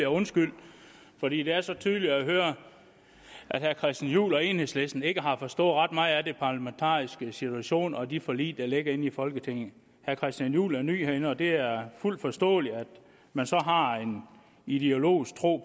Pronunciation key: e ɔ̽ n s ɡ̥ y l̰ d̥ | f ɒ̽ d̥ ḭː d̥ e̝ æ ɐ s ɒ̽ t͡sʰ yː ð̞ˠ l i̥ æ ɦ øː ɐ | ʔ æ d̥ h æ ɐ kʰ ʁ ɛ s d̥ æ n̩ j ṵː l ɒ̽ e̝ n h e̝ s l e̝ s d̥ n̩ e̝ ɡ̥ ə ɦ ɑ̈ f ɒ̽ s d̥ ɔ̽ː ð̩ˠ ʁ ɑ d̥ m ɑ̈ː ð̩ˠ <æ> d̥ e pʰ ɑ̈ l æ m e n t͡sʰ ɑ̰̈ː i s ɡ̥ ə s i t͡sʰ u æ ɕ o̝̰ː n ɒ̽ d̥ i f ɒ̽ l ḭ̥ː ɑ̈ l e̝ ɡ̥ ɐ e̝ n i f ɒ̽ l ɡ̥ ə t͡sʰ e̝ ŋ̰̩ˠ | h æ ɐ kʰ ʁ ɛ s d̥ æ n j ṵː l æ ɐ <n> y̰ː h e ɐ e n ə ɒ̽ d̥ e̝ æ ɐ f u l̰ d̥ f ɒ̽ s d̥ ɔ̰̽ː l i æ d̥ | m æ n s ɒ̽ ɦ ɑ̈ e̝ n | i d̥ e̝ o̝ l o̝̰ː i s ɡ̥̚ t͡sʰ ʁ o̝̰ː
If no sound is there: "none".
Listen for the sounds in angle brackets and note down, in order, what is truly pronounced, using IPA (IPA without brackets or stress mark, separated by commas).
æ, n